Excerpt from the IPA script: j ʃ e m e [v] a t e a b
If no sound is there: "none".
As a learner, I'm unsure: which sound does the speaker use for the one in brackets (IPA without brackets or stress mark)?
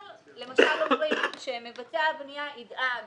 v